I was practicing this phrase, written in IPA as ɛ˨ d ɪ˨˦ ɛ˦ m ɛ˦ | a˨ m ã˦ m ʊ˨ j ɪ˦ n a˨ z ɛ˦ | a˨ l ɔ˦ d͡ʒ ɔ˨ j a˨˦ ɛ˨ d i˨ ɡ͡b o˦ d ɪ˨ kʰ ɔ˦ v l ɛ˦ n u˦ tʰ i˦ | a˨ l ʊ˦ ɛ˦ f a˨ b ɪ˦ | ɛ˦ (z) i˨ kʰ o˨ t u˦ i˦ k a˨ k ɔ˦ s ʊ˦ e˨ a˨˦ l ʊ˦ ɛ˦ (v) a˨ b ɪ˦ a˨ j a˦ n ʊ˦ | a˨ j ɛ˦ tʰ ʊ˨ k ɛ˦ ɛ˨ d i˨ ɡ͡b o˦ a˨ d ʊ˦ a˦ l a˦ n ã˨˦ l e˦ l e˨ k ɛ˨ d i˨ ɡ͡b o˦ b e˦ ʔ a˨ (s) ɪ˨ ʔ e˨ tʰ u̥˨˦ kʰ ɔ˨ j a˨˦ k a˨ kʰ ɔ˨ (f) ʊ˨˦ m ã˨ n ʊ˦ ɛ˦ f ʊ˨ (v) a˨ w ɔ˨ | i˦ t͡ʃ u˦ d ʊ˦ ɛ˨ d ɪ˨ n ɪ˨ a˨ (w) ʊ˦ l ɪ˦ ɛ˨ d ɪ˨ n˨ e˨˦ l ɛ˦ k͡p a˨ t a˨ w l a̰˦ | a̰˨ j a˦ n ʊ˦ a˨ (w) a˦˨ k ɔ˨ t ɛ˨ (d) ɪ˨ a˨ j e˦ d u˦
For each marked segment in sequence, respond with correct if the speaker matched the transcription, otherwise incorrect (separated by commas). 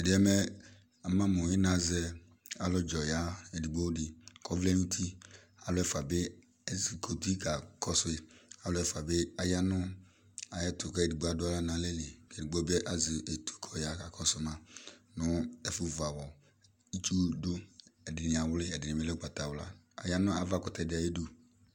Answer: correct, incorrect, incorrect, incorrect, correct, correct, incorrect, correct